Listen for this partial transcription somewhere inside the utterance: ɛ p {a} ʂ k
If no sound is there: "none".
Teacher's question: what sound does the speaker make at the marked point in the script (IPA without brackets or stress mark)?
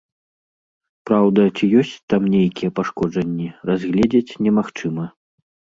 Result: a